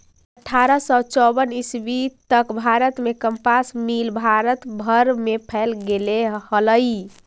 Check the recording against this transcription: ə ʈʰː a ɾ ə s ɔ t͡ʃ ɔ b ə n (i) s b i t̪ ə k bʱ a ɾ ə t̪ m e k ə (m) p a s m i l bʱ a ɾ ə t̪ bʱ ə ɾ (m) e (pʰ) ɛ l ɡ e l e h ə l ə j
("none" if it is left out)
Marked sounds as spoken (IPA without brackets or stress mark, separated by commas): i, m, m, pʰ